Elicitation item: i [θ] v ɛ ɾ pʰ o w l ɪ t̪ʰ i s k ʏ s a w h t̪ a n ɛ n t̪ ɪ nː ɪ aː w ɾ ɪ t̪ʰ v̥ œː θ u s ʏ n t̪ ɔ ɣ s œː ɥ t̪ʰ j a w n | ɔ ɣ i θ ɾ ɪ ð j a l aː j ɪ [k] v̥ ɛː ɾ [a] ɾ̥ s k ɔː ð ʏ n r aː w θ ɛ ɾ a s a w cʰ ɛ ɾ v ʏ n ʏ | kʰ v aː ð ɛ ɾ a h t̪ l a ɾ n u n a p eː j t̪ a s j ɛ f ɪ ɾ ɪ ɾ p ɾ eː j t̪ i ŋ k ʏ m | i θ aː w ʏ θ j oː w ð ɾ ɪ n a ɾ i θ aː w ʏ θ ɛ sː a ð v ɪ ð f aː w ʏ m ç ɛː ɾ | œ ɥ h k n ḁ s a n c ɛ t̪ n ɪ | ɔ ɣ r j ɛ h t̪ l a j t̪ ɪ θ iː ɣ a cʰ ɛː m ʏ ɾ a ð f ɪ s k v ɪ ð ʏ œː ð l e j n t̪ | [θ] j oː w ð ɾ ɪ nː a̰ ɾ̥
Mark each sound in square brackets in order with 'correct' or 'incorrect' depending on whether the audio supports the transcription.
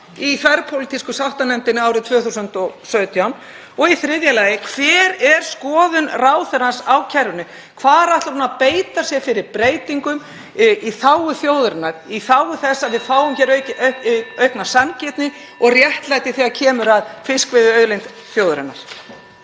correct, incorrect: kʰ, incorrect: ɛ, correct

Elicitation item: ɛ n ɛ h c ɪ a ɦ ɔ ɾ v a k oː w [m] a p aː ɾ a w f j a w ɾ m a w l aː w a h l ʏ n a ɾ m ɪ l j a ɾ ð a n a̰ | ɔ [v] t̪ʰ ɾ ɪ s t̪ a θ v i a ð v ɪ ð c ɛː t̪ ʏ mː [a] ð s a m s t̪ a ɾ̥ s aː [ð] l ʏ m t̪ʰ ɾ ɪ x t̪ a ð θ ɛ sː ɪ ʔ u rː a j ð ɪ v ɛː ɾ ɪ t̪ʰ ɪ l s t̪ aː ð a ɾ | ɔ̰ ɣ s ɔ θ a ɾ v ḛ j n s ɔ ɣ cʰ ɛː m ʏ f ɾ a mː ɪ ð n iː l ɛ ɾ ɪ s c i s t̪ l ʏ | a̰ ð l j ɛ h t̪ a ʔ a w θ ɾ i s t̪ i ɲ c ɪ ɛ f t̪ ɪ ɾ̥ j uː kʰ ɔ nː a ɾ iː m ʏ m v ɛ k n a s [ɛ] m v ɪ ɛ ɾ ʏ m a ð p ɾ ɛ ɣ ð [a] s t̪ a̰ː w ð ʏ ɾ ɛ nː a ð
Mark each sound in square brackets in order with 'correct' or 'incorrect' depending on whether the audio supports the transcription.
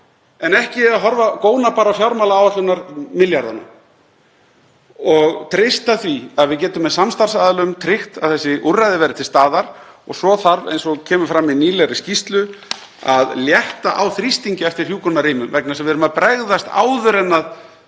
incorrect: n, incorrect: ɣ, incorrect: ɛ, correct, correct, correct

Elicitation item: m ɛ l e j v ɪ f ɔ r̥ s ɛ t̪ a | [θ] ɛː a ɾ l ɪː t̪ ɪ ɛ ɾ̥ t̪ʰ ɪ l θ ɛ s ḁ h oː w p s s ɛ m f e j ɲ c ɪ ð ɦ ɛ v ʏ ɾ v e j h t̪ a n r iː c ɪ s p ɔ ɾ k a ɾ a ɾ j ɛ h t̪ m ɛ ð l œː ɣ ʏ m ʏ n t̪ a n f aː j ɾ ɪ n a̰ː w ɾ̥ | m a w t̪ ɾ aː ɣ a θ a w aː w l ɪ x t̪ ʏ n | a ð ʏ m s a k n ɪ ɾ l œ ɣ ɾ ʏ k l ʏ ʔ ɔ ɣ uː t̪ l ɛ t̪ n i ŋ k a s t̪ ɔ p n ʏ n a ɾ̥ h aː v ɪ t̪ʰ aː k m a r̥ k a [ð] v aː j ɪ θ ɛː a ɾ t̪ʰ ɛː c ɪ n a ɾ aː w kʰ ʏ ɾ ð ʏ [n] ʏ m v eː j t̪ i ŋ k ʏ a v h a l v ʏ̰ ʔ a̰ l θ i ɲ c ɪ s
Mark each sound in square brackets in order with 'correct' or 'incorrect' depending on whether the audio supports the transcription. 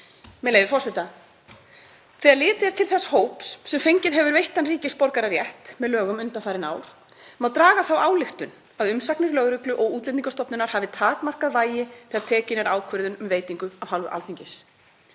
correct, correct, correct

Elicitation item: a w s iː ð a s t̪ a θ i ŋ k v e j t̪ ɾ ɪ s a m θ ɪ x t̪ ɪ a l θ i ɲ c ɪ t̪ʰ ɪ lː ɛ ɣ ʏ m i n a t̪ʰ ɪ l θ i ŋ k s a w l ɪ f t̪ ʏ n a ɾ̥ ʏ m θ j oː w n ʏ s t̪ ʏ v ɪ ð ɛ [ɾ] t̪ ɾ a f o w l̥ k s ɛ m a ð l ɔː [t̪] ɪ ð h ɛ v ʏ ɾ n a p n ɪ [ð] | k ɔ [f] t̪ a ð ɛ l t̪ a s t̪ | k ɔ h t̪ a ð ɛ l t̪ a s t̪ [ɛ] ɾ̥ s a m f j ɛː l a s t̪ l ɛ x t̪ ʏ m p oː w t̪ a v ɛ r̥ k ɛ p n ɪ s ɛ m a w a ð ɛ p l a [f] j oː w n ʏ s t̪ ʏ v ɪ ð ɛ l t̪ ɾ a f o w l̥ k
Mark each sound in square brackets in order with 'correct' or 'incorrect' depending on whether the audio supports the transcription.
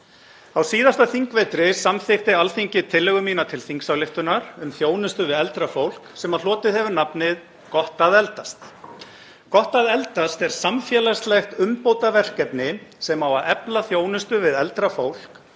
incorrect: l, correct, correct, incorrect: h, correct, incorrect: θ

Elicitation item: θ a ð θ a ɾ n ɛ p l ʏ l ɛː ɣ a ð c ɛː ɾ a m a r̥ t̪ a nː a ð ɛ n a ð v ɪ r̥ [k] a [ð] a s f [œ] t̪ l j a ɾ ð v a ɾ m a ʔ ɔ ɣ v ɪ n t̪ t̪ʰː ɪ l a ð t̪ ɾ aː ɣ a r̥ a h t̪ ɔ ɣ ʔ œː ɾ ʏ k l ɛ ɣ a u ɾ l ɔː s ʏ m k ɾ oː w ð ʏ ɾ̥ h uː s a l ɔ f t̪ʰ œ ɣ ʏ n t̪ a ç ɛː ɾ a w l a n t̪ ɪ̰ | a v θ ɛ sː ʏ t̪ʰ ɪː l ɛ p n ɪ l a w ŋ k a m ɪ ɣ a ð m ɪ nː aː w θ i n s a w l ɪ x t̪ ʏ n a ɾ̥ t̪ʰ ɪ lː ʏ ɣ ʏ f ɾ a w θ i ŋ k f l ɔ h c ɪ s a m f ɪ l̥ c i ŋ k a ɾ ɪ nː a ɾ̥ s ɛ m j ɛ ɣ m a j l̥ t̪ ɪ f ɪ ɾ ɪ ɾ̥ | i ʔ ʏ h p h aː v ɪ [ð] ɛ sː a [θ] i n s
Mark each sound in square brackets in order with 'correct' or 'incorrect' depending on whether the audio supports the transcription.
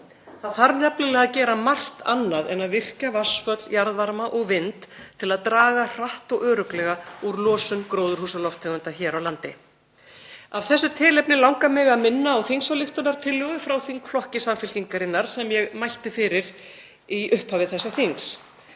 incorrect: c, incorrect: v, correct, incorrect: θ, correct

